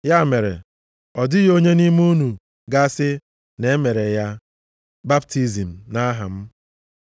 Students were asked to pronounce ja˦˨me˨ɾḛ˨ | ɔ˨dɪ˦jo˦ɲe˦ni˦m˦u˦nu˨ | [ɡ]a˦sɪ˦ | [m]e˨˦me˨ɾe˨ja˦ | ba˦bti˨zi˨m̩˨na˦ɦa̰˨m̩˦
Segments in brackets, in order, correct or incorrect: correct, incorrect: n

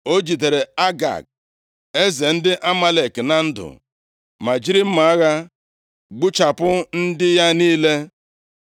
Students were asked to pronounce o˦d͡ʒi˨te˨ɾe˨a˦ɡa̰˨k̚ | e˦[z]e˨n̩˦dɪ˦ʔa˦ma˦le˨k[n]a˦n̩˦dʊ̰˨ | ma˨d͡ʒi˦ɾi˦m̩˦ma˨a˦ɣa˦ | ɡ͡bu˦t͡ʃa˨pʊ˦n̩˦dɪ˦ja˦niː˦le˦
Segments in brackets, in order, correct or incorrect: correct, correct

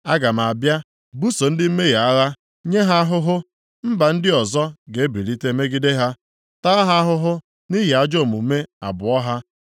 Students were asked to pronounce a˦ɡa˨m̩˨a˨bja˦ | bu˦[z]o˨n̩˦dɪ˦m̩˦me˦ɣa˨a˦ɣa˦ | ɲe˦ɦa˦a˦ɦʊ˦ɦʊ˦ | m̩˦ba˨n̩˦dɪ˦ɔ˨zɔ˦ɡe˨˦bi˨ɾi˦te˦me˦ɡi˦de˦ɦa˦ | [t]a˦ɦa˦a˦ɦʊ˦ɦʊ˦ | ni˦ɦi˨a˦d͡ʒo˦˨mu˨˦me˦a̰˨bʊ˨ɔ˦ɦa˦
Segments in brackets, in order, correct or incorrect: incorrect: s, correct

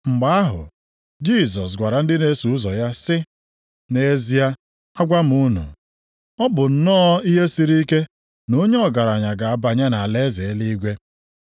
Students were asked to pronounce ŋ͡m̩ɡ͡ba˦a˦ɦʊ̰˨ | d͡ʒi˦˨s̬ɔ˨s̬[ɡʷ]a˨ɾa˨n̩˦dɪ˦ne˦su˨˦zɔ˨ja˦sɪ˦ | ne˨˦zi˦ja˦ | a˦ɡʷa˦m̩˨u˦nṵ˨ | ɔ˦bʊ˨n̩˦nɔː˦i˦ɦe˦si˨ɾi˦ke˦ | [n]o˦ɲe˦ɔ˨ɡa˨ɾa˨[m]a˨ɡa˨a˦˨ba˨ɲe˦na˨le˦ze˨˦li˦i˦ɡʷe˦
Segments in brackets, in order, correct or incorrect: correct, correct, incorrect: ɲ

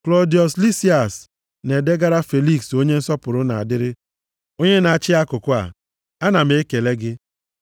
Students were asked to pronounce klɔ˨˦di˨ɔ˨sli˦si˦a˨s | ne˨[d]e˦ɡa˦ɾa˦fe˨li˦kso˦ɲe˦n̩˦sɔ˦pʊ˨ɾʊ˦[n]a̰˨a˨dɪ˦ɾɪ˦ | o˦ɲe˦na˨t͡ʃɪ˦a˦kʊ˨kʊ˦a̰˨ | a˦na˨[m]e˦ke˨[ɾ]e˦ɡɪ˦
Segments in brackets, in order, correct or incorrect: correct, correct, correct, incorrect: l

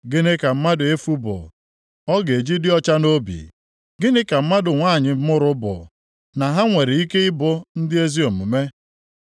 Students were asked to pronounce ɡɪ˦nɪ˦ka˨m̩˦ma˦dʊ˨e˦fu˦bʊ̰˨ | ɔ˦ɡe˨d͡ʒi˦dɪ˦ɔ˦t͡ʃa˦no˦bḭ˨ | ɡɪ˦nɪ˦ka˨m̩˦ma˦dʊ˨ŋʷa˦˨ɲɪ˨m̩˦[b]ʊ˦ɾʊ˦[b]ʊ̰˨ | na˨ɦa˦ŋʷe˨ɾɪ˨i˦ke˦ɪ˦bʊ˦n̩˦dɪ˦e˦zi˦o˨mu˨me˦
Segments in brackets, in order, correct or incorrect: incorrect: m, correct

